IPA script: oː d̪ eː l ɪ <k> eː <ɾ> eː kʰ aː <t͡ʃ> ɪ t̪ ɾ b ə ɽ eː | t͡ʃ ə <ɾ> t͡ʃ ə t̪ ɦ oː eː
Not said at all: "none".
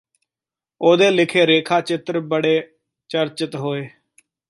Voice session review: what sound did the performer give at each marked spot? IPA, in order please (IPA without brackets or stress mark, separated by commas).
kʰ, ɾ, t͡ʃ, ɾ